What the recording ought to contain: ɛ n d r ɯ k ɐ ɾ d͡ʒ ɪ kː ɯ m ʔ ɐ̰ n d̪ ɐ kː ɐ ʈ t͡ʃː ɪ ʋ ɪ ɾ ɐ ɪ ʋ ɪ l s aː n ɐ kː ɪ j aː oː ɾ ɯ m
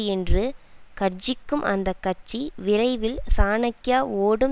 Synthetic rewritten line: ɛ n d r ɯ k ɐ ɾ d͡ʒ ɪ kː ɯ m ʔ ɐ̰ n d̪ ɐ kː ɐ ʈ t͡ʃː i ʋ ɪ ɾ ɐ ɪ ʋ ɪ l s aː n ɐ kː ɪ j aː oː ɽ ɯ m